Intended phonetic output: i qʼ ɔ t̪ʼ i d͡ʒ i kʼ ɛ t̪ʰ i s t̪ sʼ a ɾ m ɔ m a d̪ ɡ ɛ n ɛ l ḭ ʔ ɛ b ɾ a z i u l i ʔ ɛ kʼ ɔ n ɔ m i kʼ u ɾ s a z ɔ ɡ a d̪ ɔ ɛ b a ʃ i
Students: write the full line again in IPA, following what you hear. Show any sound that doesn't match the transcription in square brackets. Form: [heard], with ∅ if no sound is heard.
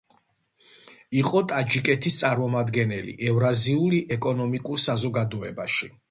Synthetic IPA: i qʼ ɔ t̪ʼ [a] d͡ʒ i kʼ ɛ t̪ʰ i s t̪ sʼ a ɾ m ɔ m a d̪ ɡ ɛ n ɛ l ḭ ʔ ɛ [v] ɾ a z i u l i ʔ ɛ kʼ ɔ n ɔ m i kʼ u ɾ s a z ɔ ɡ a d̪ ɔ ɛ b a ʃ i